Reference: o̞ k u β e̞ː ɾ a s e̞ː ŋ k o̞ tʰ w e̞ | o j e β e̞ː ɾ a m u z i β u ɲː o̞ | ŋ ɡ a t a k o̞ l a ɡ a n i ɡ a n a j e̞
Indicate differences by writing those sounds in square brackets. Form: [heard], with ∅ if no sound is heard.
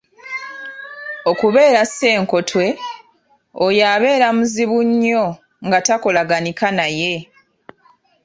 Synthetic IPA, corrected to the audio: o̞ k u β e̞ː ɾ a s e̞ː ŋ k o̞ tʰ w e̞ | o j [a] β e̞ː ɾ a m u z i β u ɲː o̞ | ŋ ɡ a t a k o̞ l a ɡ a n i [k] a n a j e̞